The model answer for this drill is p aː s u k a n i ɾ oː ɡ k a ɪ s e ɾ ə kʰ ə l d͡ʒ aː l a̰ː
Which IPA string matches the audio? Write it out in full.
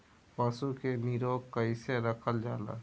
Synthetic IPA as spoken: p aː s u k e n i ɾ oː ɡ k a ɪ s e ɾ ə kʰ ə l d͡ʒ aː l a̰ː